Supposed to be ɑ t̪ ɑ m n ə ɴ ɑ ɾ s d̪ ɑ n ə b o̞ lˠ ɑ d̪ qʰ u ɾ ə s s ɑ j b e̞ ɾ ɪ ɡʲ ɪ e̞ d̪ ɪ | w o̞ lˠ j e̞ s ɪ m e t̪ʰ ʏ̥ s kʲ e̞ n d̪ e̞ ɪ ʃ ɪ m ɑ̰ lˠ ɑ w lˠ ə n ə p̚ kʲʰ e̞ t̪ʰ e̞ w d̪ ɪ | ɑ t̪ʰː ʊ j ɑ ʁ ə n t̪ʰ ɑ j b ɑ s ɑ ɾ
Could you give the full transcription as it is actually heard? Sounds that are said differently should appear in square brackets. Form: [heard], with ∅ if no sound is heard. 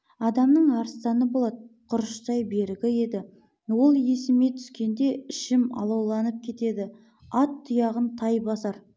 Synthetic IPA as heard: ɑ [d̪] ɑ m n ə ɴ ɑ ɾ s [t̪] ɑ n ə b o̞ lˠ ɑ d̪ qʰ [ʊ] ɾ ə [ʃ] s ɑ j b e̞ ɾ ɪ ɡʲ ɪ e̞ d̪ ɪ | w o̞ lˠ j e̞ s ɪ m e t̪ʰ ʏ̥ s kʲ e̞ n d̪ e̞ ɪ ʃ ɪ m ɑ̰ lˠ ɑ w lˠ [ɑ] n ə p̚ kʲʰ e̞ [t̪] e̞ [∅] d̪ ɪ | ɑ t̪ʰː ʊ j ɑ ʁ ə n t̪ʰ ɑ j b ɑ s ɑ ɾ